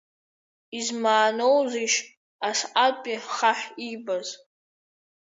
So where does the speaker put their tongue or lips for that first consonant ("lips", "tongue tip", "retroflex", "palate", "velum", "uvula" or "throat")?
tongue tip